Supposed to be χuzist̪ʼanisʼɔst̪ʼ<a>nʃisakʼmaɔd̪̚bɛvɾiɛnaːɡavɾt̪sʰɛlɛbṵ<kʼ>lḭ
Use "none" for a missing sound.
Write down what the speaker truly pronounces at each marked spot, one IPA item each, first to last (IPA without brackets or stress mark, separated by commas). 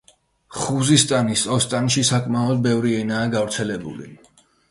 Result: a, none